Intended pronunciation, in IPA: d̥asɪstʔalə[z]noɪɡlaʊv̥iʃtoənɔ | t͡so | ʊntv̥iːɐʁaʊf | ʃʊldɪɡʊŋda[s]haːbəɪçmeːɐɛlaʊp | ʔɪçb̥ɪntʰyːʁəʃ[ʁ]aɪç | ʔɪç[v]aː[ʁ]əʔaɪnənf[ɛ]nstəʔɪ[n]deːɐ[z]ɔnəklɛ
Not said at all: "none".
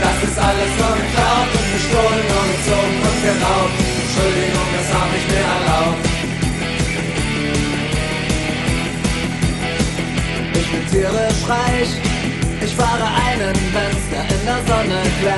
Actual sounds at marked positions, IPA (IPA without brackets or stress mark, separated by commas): s, s, ʁ, f, ʁ, ɛ, n, z